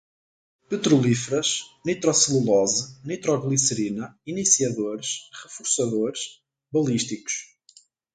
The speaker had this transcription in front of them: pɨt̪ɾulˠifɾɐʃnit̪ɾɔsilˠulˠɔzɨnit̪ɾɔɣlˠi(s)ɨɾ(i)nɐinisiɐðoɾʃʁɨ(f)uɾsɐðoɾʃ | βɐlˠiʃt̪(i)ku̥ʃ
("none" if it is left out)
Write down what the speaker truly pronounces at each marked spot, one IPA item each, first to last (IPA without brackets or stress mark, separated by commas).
s, i, f, i